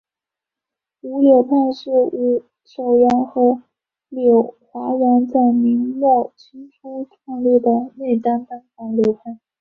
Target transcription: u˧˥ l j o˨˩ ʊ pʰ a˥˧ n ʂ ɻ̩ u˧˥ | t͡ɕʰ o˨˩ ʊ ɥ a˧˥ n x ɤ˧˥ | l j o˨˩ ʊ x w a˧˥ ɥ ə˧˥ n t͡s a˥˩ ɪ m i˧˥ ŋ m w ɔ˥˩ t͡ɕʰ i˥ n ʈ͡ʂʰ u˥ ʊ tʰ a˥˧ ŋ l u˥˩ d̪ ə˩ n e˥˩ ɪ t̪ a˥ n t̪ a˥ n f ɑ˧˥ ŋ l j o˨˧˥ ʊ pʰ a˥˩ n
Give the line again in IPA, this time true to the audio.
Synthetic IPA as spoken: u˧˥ l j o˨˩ ʊ pʰ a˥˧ n ʂ ɻ̩ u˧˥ | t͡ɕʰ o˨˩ ʊ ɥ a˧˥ n x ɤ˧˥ | l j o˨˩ ʊ x w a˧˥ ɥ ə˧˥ n t͡s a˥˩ ɪ m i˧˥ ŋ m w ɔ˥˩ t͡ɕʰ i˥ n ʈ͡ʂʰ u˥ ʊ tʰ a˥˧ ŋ l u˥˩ d̪ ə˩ n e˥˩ ɪ t̪ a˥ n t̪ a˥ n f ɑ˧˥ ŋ l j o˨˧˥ ʊ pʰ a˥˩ n

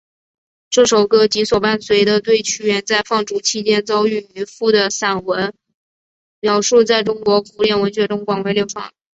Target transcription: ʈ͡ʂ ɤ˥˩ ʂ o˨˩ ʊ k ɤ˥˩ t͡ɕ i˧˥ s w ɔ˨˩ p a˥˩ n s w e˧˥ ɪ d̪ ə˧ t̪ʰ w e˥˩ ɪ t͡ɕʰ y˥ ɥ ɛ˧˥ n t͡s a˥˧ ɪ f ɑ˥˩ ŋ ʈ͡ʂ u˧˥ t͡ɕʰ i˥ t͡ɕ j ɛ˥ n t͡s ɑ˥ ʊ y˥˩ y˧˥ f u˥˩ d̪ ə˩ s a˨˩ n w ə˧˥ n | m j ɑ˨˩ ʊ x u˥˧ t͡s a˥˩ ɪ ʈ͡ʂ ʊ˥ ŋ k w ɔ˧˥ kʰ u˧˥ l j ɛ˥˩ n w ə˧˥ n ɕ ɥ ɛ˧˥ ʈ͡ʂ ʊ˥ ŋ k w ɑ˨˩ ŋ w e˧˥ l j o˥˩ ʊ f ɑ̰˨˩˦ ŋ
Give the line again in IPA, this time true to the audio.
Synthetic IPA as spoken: ʈ͡ʂ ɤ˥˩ ʂ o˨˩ ʊ k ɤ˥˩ t͡ɕ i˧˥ s w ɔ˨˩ p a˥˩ n s w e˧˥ ɪ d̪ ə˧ t̪ w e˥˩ ɪ t͡ɕʰ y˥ ɥ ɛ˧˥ n t͡s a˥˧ ɪ f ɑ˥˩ ŋ ʈ͡ʂ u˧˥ t͡ɕʰ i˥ t͡ɕ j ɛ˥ n t͡s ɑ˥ ʊ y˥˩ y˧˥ f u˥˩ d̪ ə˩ s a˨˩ n w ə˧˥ n | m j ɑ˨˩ ʊ ʂ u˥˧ t͡s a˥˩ ɪ ʈ͡ʂ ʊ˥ ŋ k w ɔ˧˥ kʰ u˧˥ l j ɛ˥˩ n w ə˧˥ n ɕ ɥ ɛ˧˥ ʈ͡ʂ ʊ˥ ŋ k w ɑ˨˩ ŋ w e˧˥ l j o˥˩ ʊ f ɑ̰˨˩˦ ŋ

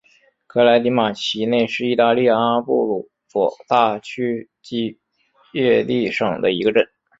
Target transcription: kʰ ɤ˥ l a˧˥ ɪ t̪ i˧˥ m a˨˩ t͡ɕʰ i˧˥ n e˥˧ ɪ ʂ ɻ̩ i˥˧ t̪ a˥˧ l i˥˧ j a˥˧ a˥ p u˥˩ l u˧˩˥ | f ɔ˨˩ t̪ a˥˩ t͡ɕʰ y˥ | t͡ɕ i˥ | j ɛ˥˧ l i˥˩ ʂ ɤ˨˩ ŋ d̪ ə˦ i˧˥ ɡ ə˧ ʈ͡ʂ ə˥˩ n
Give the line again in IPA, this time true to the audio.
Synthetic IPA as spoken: kʰ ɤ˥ l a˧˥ ɪ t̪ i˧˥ m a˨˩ t͡ɕʰ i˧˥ n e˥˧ ɪ ʂ ɻ̩ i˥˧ t̪ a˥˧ l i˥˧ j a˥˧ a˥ p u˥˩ l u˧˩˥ | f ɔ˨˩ t̪ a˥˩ t͡ɕʰ y˥ | t͡ɕ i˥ | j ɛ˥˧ l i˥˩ ʂ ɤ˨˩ ŋ d̪ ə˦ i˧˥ ɡ ə˧ ʈ͡ʂ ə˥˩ n

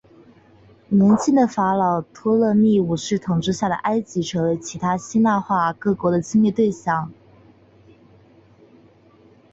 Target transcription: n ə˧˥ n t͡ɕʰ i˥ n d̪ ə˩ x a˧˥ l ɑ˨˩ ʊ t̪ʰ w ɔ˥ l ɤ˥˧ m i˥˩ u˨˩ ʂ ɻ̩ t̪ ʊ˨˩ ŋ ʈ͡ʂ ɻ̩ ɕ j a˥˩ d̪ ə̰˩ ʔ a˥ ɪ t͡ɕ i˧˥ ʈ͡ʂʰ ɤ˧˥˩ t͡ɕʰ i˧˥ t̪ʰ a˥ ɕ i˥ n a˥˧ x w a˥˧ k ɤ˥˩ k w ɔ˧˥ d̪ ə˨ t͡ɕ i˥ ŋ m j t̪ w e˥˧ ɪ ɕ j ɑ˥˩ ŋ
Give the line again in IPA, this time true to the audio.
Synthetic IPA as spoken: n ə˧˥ n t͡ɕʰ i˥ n d̪ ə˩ f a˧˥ l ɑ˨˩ ʊ t̪ʰ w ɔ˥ l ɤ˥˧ m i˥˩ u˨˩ ʂ ɻ̩ t̪ʰ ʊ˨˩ ŋ ʈ͡ʂ ɻ̩ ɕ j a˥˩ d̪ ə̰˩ ʔ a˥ ɪ t͡ɕ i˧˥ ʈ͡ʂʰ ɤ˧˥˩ t͡ɕʰ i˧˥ t̪ʰ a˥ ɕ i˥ n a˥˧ x w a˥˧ k ɤ˥˩ k w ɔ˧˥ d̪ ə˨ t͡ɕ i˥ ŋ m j t̪ w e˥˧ ɪ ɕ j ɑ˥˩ ŋ

